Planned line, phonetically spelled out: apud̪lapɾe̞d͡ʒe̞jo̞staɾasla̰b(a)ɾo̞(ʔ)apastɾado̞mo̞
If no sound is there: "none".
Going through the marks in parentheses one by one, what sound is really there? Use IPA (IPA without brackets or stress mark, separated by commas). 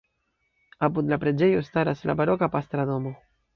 a, k